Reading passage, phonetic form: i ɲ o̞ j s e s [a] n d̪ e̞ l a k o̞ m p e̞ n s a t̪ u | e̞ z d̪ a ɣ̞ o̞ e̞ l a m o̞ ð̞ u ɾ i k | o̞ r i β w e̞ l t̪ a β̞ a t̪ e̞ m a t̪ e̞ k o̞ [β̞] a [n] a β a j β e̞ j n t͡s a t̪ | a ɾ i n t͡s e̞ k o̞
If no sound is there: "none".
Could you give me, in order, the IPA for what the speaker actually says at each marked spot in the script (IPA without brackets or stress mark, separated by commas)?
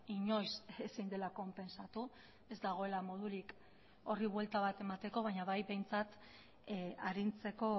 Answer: i, β̞, ɲ